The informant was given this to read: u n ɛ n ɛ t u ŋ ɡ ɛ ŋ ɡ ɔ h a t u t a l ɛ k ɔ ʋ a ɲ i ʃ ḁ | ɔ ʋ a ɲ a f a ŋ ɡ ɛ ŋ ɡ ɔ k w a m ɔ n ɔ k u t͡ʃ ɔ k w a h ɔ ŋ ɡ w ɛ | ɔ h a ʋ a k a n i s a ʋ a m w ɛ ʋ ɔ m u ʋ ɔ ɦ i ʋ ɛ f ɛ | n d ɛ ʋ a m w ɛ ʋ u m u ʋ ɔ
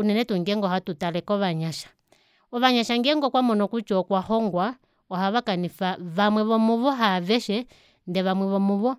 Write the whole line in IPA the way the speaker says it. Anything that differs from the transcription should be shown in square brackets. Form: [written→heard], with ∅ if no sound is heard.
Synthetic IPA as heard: u n ɛ n ɛ t u ŋ ɡ ɛ ŋ ɡ ɔ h a t u t a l ɛ k ɔ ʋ a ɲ [i→a] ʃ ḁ | ɔ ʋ a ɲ a [f→ʃ] a ŋ ɡ ɛ ŋ ɡ ɔ k w a m ɔ n ɔ k u t͡ʃ ɔ k w a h ɔ ŋ ɡ w [ɛ→a] | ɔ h a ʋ a k a n i [s→f] a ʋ a m w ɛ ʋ ɔ m u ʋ ɔ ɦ [i→a] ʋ ɛ [f→ʃ] ɛ | n d ɛ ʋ a m w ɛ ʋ [u→ɔ] m u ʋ ɔ